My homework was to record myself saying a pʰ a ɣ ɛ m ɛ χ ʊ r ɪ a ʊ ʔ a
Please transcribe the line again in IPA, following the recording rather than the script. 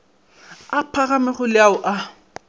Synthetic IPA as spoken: a pʰ a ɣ a m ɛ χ ʊ l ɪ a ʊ ʔ a